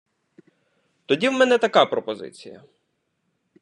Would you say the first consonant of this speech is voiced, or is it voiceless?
voiceless